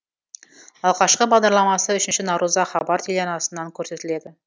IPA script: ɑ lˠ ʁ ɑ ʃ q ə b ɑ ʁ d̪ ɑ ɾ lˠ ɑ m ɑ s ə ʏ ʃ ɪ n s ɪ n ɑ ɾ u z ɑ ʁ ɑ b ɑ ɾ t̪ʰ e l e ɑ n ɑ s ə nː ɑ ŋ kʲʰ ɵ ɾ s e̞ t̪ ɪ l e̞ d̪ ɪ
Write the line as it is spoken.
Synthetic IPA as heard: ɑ lˠ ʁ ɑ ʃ q ə b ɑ ʁ d̪ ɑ ɾ lˠ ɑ m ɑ s ə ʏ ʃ ɪ n ʃ ɪ n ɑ ɾ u z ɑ χ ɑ b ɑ ɾ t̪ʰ e l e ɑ n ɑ s ə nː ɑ ŋ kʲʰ ɵ ɾ s e̞ t̪ ɪ l e̞ d̪ ɪ